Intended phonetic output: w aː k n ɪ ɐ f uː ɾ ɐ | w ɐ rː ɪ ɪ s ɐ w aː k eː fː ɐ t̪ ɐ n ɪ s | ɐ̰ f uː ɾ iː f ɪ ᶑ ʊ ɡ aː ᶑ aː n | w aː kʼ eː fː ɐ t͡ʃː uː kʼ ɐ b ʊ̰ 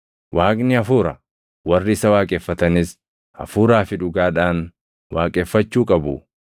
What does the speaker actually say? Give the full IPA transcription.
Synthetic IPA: w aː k n ɪ ɐ f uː ɾ ɐ | w ɐ rː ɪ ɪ s ɐ w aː kʼ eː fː ɐ t̪ ɐ n ɪ s | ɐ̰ f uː ɾ aː f ɪ ᶑ ʊ ɡ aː ᶑ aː n | w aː kʼ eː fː ɐ t͡ʃː uː kʼ ɐ b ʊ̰